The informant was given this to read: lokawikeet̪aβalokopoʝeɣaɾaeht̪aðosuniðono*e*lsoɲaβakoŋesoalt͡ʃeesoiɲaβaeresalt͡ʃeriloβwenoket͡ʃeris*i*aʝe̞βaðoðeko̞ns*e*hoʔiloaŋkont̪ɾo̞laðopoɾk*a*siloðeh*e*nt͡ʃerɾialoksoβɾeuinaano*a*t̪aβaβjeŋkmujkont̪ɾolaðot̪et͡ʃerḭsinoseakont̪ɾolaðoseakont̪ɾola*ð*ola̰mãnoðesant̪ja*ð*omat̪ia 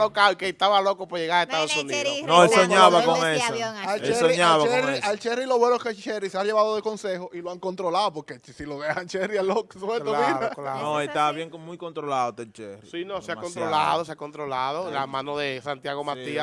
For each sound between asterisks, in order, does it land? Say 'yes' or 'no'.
yes, no, yes, no, no, no, yes, no

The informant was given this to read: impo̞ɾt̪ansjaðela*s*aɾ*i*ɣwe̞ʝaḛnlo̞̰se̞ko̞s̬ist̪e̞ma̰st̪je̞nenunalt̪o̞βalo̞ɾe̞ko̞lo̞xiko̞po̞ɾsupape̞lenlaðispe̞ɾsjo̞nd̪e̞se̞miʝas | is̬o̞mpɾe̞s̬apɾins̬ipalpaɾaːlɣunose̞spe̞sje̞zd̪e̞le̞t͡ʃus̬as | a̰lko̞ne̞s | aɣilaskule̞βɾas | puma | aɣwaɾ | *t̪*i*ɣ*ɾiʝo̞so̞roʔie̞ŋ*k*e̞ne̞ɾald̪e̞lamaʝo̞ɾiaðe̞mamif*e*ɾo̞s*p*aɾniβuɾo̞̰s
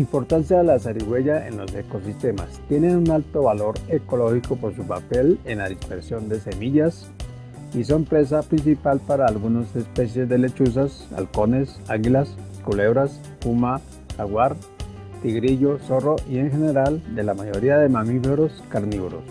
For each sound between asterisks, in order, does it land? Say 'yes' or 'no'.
yes, yes, yes, yes, no, yes, no

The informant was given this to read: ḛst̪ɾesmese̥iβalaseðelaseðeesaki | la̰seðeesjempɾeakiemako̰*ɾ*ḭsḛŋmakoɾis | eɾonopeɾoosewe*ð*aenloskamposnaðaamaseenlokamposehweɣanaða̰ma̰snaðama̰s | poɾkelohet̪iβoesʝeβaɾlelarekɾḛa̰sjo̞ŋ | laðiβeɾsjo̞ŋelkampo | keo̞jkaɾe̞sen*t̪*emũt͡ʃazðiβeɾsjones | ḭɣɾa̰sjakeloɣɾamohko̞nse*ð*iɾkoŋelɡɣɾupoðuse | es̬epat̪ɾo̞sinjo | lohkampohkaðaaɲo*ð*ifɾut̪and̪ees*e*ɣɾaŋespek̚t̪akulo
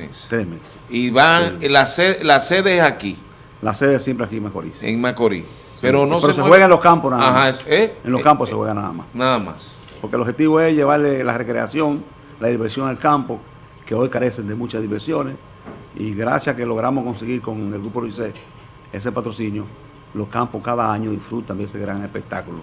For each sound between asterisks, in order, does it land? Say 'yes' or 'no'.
yes, no, no, no, yes, yes

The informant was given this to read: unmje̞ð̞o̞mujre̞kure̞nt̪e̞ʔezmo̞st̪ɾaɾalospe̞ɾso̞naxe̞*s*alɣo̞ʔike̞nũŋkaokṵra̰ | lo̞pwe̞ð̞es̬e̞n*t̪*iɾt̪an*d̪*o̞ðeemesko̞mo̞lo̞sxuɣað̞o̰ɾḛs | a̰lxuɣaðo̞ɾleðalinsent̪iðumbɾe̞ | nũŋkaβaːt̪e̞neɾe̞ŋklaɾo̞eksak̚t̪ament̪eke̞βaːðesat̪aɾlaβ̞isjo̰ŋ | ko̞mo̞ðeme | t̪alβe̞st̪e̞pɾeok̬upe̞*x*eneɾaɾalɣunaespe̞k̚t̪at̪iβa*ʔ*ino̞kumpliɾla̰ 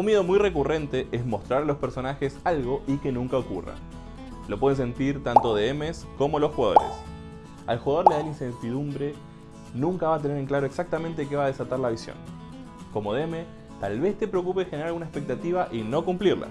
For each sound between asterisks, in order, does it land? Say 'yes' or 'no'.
yes, yes, no, yes, yes

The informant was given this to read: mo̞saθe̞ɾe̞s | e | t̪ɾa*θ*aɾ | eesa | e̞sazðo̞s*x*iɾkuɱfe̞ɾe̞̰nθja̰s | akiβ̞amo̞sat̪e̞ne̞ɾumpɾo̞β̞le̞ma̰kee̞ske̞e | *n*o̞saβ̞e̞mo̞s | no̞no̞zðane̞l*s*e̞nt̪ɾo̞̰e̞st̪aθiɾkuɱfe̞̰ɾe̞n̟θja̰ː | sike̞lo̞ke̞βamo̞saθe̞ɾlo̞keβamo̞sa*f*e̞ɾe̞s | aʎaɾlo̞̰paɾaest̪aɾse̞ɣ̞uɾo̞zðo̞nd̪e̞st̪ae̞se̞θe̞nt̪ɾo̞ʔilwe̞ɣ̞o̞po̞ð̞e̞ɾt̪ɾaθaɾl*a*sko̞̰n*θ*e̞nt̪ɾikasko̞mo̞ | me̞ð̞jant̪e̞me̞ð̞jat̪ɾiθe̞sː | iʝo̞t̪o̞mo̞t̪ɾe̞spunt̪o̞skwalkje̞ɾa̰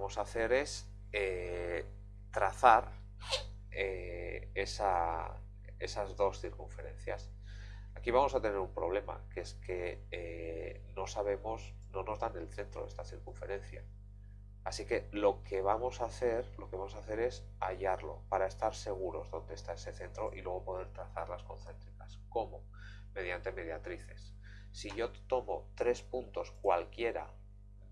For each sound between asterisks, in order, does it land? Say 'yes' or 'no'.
yes, no, yes, no, no, yes, yes

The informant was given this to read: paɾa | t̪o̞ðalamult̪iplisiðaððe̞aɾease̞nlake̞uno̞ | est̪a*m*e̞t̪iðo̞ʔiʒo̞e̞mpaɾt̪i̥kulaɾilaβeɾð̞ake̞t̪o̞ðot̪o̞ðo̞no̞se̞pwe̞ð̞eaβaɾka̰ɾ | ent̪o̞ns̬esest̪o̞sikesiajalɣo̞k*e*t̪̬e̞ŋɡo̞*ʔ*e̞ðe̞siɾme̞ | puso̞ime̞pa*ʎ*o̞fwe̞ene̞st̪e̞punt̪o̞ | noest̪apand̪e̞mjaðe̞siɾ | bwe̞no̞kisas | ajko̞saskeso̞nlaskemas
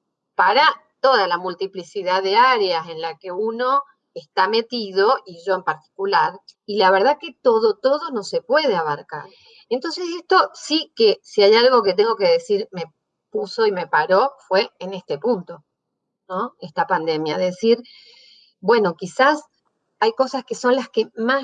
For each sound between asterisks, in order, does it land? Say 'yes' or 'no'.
yes, yes, no, no

